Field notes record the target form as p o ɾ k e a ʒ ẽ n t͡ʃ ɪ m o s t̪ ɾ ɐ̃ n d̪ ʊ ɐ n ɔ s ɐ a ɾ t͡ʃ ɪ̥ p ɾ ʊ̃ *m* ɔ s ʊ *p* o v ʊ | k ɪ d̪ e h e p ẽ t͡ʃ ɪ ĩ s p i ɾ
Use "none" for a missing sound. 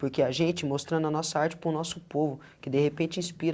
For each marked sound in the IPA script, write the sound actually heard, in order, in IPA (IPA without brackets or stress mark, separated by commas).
n, p